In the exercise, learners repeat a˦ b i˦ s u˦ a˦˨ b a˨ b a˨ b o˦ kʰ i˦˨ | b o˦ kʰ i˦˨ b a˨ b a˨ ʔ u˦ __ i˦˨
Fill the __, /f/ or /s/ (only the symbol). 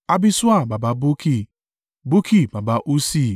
s